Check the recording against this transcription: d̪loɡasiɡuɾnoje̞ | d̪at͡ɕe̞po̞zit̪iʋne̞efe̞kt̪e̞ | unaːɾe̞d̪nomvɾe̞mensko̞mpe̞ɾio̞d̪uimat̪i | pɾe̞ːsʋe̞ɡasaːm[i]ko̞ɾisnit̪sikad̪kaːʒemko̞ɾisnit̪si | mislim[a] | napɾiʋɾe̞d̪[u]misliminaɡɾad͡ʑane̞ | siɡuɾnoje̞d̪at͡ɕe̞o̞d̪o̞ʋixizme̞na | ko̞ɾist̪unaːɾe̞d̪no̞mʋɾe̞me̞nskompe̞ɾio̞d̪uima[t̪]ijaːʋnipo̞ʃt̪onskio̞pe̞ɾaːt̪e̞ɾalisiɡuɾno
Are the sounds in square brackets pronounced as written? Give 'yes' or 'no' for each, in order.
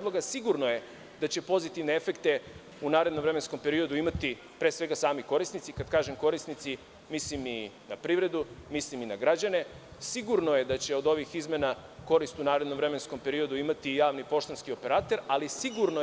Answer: yes, no, yes, yes

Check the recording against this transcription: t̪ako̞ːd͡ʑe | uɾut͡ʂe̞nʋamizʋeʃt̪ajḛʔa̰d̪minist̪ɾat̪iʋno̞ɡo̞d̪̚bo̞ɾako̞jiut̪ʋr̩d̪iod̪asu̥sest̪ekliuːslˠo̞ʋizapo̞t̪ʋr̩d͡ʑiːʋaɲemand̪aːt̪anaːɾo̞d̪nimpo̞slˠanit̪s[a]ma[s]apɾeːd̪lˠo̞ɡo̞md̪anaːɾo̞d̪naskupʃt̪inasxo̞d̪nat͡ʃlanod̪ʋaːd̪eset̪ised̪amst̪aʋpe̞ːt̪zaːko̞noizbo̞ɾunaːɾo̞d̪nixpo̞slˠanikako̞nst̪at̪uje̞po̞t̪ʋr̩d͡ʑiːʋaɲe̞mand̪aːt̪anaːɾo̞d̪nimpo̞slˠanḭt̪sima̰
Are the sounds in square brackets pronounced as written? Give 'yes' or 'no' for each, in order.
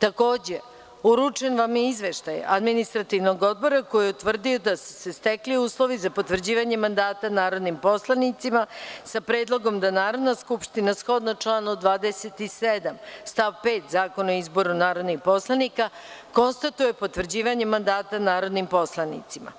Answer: no, yes

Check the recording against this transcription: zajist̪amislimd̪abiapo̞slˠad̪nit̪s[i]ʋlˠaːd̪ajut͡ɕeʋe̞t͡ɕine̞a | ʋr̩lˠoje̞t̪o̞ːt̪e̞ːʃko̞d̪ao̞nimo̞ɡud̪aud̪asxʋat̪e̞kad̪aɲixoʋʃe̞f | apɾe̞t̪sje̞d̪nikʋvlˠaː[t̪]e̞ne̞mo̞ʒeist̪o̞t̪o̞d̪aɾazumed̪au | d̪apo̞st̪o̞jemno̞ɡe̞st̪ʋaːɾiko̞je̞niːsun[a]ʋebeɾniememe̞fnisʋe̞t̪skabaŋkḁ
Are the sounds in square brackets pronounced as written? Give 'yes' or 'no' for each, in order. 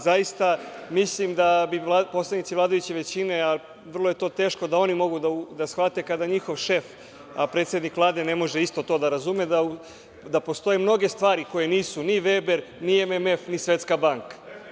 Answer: yes, no, no

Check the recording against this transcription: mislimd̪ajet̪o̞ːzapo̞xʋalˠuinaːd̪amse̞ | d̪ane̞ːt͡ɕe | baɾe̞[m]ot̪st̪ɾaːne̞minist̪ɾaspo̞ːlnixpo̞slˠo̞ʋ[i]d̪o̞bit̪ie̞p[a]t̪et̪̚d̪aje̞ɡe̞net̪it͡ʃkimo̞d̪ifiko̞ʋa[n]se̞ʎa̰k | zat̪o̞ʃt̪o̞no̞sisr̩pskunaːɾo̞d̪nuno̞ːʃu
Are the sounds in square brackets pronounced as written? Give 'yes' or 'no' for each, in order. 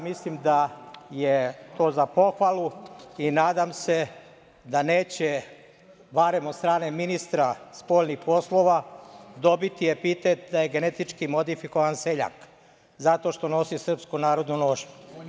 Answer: yes, no, no, yes

